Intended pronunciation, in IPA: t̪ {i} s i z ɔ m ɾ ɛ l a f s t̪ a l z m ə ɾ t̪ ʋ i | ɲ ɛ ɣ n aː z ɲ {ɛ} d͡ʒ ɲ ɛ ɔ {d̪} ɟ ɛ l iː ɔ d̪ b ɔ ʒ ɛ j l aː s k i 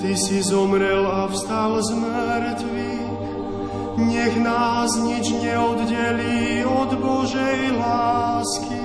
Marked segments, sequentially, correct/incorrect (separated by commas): correct, incorrect, correct